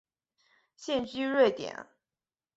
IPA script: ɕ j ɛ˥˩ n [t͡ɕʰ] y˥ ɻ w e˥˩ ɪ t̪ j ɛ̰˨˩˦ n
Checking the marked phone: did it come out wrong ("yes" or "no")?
yes